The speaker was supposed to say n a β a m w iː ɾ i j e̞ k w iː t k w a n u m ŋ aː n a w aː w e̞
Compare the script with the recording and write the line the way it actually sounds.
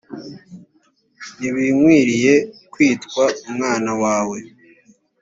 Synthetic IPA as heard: n i β i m w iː ɾ i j e̞ k w iː t k w a u m ŋ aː n a w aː w e̞

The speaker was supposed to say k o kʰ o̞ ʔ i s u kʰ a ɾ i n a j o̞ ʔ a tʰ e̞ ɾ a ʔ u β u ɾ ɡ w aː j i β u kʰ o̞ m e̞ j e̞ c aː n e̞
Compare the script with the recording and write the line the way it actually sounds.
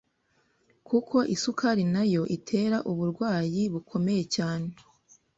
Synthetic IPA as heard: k u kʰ o̞ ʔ i s u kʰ a ɾ i n a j o̞ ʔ i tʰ e̞ ɾ a ʔ u β u ɾ ɡ w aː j i β u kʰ o̞ m e̞ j e̞ c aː n e̞

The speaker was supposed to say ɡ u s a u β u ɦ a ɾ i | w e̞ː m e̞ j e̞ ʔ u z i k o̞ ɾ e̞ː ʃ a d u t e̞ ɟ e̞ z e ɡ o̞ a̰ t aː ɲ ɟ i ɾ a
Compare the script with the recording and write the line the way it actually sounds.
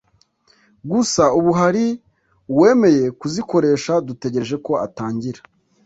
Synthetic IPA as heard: ɡ u s a u β u ɦ a ɾ i | w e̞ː m e̞ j e̞ k u z i k o̞ ɾ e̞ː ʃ a d u t e̞ ɟ e̞ ʒ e k o̞ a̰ t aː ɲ ɟ i ɾ a

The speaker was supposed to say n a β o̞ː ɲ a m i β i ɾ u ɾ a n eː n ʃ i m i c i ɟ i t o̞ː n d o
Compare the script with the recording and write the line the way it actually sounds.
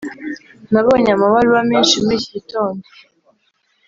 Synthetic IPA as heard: n a β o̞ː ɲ a m a β a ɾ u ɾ a m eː n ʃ i m i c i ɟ i t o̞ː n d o

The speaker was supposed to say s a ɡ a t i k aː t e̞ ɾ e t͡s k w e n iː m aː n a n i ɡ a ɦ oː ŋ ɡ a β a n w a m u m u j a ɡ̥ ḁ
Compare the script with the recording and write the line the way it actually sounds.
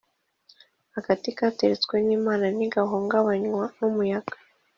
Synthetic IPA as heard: h a ɡ a t i k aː t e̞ ɾ e t͡s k w e n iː m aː n a n i ɡ a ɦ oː ŋ ɡ a β a ɲ w a n u m u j a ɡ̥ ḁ

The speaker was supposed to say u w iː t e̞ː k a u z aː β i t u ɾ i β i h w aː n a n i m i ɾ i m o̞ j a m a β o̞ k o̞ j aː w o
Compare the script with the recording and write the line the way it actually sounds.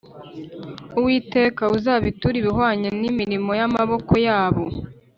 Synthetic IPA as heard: u w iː t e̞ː k a u z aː β i t u ɾ i β i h w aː ɲ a n i m i ɾ i m o̞ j a m a β o̞ k o̞ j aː β o

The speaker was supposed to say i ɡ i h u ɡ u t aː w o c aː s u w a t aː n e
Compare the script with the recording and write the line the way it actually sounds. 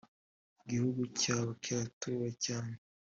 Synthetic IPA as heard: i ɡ i h u ɡ u c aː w o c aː t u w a c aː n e

